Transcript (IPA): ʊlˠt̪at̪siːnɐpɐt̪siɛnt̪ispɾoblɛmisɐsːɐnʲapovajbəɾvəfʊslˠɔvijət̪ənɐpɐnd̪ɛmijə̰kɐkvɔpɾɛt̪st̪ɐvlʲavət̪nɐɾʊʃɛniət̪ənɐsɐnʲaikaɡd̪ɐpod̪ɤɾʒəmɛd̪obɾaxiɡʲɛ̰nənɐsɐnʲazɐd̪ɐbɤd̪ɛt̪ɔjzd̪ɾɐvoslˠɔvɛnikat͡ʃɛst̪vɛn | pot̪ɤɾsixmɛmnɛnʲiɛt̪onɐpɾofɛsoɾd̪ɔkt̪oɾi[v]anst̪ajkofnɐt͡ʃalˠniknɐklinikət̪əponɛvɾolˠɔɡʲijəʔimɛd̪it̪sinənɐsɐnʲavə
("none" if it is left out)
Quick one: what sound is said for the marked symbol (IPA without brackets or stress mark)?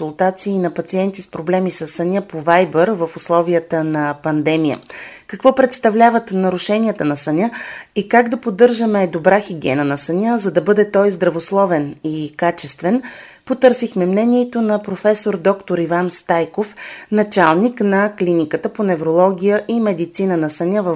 v